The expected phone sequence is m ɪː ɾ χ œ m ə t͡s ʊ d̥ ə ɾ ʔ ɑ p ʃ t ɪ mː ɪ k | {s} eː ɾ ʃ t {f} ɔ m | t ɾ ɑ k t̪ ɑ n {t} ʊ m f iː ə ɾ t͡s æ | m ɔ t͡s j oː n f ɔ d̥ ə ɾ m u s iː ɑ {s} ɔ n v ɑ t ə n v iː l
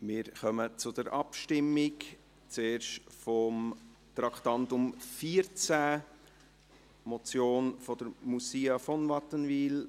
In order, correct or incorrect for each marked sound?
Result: incorrect: t͡s, correct, correct, incorrect: f

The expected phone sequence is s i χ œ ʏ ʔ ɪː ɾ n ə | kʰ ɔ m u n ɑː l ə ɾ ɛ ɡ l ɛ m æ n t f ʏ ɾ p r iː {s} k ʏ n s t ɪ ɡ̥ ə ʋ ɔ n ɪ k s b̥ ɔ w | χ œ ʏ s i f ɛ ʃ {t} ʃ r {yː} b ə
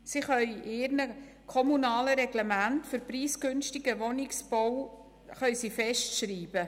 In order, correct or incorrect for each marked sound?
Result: correct, correct, incorrect: iː

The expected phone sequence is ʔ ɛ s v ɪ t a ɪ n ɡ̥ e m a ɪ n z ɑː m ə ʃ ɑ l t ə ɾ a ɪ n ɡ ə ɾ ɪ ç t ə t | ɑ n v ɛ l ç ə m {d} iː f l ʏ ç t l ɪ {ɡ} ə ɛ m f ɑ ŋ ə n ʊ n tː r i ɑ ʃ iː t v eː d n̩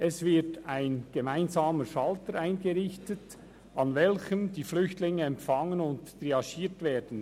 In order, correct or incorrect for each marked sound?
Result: correct, incorrect: ŋ

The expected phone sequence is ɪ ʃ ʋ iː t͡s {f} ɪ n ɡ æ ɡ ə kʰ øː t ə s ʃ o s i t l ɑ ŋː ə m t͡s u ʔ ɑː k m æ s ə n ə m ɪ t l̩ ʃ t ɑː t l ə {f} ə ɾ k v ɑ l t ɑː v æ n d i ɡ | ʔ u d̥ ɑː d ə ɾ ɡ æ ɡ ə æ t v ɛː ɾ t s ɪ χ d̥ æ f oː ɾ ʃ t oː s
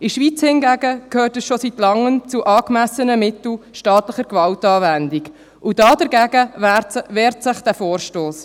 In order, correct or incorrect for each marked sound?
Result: incorrect: h, incorrect: χ

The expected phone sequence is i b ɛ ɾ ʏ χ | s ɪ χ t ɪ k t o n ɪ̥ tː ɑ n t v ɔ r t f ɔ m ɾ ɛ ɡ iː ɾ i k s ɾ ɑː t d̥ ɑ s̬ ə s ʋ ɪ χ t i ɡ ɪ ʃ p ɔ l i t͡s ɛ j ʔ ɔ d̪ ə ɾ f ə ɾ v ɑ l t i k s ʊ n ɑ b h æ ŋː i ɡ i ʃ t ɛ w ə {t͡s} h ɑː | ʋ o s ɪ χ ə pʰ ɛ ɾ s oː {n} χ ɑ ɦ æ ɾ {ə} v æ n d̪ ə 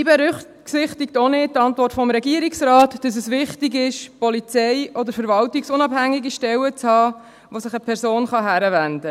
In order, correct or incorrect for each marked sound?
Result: correct, correct, correct

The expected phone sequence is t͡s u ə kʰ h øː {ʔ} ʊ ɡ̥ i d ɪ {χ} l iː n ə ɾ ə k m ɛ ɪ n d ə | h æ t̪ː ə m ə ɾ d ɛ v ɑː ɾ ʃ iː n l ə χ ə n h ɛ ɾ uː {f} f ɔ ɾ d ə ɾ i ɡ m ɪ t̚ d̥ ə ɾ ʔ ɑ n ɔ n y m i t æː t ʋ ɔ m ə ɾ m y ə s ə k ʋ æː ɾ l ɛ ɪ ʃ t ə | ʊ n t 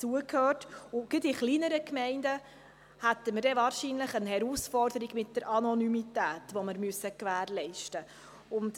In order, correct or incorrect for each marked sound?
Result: incorrect: t, correct, incorrect: s

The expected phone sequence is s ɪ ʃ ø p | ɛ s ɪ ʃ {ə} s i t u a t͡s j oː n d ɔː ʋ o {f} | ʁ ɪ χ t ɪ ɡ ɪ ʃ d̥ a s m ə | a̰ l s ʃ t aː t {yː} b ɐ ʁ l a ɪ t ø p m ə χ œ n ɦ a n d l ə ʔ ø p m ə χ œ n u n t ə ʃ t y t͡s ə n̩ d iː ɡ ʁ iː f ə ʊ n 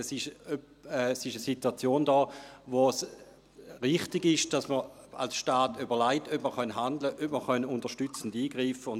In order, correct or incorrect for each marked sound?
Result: correct, incorrect: s, incorrect: y

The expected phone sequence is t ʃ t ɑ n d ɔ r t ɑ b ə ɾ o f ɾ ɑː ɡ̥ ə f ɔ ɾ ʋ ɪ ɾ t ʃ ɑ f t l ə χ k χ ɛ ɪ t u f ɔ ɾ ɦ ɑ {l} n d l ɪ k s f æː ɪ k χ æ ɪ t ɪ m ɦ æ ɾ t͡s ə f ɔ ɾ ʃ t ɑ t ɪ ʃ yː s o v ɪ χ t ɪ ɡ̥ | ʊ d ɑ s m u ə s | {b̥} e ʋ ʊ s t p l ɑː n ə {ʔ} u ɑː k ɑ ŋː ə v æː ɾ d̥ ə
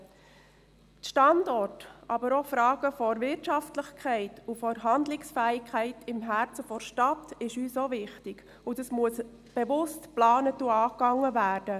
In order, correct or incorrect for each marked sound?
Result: incorrect: none, correct, incorrect: t

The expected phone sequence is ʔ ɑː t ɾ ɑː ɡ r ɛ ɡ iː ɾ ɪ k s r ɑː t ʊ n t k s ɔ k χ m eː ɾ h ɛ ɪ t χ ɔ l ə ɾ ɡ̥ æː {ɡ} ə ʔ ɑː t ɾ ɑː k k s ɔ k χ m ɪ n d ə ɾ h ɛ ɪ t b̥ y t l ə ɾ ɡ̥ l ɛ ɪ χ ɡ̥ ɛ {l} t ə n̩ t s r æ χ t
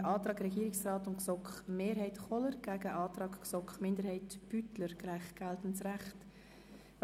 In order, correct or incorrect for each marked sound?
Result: correct, correct

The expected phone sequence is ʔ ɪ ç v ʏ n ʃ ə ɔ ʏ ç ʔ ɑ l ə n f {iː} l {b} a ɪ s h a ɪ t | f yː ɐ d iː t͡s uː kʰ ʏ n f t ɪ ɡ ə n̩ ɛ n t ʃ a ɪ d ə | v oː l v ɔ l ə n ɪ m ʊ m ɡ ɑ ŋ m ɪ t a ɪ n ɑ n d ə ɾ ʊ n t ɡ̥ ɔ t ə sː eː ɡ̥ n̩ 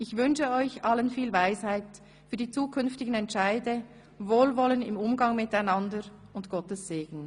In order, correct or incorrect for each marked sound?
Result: correct, incorrect: v

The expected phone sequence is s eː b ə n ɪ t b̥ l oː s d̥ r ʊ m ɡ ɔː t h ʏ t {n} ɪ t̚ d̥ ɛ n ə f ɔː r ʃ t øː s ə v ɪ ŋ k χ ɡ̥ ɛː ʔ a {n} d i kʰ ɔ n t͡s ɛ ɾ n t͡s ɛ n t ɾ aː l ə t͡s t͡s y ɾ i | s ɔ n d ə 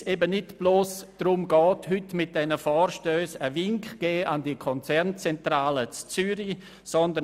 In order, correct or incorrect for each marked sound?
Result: incorrect: m, correct

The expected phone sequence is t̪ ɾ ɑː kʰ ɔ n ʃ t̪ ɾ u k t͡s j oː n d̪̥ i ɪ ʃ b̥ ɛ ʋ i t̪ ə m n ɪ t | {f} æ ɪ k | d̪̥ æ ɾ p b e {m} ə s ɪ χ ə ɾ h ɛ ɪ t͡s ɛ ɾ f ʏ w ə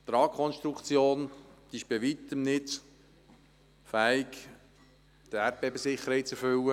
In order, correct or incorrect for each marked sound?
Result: correct, incorrect: b

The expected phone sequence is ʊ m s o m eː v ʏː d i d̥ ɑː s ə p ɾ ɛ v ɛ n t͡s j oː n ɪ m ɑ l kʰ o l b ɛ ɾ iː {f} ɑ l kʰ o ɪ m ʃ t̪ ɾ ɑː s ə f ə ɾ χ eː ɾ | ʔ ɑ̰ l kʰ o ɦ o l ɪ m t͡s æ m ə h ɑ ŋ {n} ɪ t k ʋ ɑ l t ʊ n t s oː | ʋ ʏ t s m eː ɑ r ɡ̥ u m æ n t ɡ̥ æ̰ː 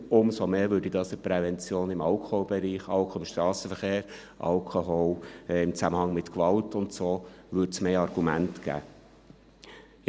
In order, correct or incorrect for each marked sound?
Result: incorrect: χ, incorrect: m

